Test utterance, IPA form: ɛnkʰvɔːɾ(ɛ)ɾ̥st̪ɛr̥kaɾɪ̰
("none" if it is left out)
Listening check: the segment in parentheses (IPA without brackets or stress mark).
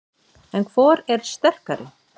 ɛ